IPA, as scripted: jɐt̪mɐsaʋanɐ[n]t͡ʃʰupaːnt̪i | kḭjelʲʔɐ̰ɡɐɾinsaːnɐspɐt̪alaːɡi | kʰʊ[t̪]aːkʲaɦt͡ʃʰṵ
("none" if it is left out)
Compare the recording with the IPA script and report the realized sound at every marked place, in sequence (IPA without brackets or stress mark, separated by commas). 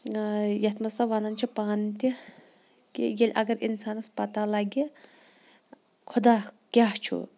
n, d̪